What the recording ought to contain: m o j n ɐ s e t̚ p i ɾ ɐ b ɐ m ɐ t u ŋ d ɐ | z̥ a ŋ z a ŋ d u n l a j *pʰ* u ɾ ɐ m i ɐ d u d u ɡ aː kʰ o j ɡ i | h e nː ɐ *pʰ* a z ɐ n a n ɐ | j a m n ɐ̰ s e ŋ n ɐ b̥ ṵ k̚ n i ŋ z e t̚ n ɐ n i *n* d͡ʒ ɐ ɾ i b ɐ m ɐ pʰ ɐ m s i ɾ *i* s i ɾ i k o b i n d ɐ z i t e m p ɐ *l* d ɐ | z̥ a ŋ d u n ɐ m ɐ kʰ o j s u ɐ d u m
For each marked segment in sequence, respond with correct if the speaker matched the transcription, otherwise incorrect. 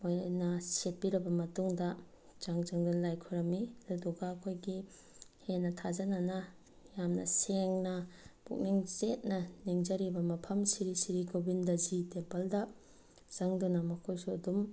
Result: incorrect, incorrect, incorrect, correct, correct

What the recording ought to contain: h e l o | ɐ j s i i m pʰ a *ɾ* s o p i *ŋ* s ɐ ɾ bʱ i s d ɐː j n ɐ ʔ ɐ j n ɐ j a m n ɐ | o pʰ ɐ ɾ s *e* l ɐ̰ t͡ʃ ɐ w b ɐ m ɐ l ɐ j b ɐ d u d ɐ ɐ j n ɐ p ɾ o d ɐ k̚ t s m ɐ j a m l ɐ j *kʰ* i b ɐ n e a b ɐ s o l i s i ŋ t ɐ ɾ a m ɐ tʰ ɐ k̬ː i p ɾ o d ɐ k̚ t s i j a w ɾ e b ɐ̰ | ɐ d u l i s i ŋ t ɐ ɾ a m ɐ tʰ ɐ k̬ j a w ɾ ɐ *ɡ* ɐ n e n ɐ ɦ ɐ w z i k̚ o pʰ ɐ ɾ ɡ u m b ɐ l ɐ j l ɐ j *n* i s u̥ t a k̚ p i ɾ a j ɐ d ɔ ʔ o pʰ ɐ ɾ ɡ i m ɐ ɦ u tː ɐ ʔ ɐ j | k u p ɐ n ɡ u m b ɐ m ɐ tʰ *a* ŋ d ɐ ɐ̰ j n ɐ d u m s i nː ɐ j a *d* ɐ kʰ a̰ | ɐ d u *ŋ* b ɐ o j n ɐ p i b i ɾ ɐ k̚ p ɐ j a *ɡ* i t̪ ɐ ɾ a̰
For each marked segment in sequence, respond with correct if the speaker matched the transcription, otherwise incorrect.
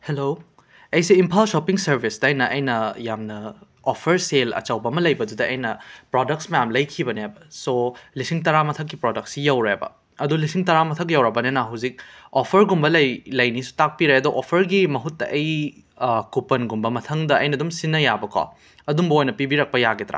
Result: incorrect, correct, correct, correct, incorrect, correct, incorrect, incorrect, incorrect, correct

